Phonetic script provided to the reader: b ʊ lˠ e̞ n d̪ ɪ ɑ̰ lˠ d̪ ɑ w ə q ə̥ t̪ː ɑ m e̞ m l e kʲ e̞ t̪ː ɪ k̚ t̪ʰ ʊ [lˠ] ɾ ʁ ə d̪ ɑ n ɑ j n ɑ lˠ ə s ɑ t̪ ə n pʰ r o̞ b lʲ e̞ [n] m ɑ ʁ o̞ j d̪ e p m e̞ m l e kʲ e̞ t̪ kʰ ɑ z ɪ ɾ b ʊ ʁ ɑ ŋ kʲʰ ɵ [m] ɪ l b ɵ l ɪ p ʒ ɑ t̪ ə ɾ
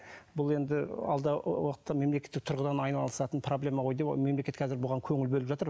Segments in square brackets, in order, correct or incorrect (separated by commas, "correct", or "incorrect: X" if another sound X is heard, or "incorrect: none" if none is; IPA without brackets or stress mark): incorrect: none, incorrect: none, incorrect: ŋ